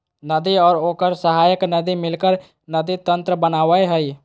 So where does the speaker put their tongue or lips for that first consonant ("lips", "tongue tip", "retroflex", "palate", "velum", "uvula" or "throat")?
tongue tip